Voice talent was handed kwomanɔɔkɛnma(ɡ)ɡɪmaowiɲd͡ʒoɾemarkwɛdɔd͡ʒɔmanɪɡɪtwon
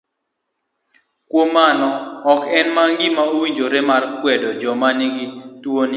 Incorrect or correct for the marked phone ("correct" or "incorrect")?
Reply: incorrect